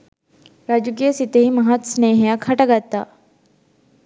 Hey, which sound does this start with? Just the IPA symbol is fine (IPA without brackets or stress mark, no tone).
ɾ